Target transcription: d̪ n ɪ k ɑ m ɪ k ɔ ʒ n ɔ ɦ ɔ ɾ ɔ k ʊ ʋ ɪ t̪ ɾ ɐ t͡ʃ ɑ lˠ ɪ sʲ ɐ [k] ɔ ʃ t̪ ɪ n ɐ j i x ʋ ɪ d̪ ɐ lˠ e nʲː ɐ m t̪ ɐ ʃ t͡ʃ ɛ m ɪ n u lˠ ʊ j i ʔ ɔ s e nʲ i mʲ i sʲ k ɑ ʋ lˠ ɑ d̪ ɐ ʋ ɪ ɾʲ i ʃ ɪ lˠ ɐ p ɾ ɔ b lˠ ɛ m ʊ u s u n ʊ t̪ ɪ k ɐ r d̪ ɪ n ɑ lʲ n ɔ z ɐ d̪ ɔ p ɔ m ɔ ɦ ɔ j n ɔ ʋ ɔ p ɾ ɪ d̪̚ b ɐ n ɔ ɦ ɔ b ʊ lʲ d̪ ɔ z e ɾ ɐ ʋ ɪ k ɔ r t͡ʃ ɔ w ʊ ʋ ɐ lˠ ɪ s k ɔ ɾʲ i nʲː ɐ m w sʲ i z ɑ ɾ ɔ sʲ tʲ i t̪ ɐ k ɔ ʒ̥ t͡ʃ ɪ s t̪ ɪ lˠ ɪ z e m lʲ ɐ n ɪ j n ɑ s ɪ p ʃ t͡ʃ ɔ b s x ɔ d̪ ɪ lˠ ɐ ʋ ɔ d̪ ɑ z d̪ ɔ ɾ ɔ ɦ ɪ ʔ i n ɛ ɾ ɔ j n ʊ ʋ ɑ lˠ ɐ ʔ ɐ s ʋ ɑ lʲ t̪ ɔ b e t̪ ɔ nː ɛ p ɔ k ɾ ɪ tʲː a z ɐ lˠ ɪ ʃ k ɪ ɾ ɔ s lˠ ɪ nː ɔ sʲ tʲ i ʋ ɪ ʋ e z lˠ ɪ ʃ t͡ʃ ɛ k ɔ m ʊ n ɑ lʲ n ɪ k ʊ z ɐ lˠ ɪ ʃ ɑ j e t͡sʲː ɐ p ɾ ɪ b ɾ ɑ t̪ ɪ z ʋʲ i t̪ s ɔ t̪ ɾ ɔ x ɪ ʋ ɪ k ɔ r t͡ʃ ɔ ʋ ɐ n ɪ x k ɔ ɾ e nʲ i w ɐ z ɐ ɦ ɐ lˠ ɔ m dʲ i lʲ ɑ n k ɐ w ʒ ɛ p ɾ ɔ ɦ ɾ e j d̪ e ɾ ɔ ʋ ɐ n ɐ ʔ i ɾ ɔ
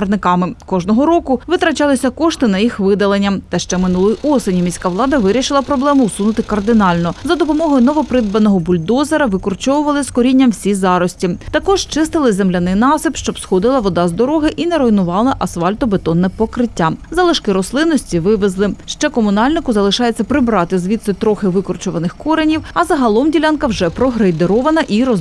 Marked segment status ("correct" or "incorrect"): correct